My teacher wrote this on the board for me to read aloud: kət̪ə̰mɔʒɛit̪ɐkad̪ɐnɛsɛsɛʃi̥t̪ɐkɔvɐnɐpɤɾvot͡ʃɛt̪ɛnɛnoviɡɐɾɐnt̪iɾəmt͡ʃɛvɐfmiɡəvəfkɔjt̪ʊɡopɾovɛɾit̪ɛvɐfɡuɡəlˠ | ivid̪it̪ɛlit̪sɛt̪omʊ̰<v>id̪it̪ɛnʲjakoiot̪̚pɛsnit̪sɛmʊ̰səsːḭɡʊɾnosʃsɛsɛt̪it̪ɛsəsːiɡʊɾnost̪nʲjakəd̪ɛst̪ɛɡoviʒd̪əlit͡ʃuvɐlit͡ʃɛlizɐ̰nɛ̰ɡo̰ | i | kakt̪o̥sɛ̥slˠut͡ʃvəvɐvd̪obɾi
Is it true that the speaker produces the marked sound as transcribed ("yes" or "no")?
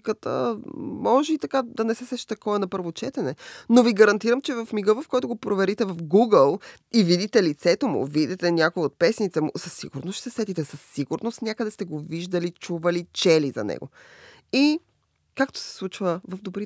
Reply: yes